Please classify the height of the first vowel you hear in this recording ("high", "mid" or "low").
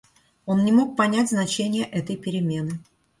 mid